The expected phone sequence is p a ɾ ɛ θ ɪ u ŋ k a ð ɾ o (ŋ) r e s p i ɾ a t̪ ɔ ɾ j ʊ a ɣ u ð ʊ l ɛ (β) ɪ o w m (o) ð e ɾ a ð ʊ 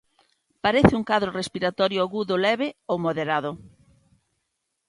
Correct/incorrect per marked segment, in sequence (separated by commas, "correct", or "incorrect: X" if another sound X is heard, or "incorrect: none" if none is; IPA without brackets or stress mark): incorrect: none, correct, correct